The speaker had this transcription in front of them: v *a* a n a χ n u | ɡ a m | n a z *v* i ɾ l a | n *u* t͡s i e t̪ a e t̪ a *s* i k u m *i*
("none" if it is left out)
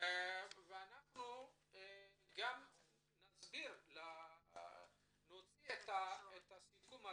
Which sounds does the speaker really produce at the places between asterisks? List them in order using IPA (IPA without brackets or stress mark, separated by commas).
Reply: e, b, o, s, a